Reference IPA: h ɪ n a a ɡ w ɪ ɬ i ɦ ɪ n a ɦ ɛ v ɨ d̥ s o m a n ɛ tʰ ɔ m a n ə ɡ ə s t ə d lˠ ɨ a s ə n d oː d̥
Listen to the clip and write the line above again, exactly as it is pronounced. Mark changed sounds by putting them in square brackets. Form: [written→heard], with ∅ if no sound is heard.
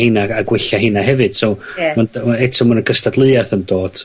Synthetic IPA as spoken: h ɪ n a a ɡ w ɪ ɬ [i→a] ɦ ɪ n a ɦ ɛ v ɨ d̥ s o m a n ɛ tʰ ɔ m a n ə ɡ ə s t [ə→a] d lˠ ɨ a [s→θ] ə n d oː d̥